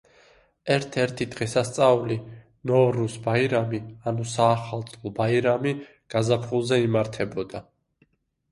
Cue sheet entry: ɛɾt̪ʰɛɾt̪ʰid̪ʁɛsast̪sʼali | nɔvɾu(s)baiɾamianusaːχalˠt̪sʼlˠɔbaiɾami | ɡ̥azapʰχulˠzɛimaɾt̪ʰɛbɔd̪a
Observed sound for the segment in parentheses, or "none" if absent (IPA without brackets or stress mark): s